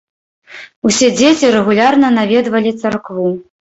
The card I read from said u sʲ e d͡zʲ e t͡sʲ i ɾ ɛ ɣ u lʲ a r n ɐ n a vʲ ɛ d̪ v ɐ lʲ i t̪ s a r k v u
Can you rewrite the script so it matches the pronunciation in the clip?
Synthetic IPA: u sʲ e d͡zʲ e t͡sʲ i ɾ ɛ ɣ u lʲ a r n ɐ n a vʲ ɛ d̪ v ɐ lʲ i t̪ s a r k v u

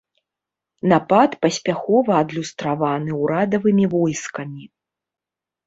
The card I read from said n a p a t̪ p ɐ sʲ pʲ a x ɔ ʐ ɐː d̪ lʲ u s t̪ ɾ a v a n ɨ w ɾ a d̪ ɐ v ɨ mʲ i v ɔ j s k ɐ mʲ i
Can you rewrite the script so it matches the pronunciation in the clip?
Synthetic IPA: n a p a t̪ p ɐ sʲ pʲ a x ɔ v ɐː d̪ lʲ u s t̪ ɾ a v a n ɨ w ɾ a d̪ ɐ v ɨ mʲ i v ɔ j s k ɐ mʲ i

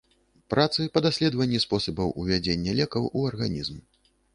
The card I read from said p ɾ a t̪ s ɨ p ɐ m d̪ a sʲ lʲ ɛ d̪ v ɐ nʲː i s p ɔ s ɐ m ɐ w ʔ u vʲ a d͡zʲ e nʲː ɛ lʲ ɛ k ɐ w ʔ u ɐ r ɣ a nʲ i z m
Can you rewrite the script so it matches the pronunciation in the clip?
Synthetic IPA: p ɾ a t̪ s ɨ p ɐ d̪ a sʲ lʲ ɛ d̪ v ɐ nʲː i s p ɔ s ɐ b ɐ w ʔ u vʲ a d͡zʲ e nʲː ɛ lʲ ɛ k ɐ w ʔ u ɐ r ɣ a nʲ i z m

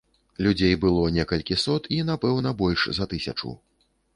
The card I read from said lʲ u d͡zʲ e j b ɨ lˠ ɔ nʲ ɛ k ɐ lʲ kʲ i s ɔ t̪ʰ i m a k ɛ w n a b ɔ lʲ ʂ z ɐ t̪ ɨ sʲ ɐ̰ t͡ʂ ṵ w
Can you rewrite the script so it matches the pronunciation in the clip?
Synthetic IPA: lʲ u d͡zʲ e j b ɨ lˠ ɔ nʲ ɛ k ɐ lʲ kʲ i s ɔ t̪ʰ i n a p ɛ w n ɐ b ɔ lʲ ʂ z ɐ t̪ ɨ sʲ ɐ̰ t͡ʂ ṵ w

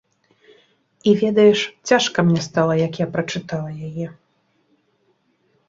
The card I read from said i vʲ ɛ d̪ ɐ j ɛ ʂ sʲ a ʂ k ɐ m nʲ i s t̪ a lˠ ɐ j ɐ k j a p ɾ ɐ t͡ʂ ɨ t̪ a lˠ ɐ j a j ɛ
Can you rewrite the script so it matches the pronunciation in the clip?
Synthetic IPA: i vʲ ɛ d̪ ɐ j ɛ ʂ t͡sʲ a ʂ k ɐ m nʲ ɛ s t̪ a lˠ ɐ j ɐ k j a p ɾ ɐ t͡ʂ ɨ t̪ a lˠ ɐ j a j ɛ

